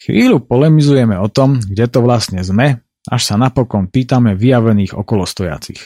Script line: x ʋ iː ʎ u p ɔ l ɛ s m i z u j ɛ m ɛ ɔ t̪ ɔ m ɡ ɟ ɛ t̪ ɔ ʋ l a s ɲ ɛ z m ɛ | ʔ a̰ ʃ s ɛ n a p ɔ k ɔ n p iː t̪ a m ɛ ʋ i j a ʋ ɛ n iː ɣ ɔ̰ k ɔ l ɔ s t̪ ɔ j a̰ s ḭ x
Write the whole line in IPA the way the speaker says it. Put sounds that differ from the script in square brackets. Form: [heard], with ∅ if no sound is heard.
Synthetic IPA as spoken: x ʋ iː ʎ u p ɔ l ɛ [∅] m i z u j ɛ m ɛ ɔ t̪ ɔ m ɡ ɟ ɛ t̪ ɔ ʋ l a s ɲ ɛ z m ɛ | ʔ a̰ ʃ s [a] n a p ɔ k ɔ n p iː t̪ a m ɛ ʋ i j a ʋ ɛ n iː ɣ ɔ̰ k ɔ l ɔ s t̪ ɔ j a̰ [t͡s] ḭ x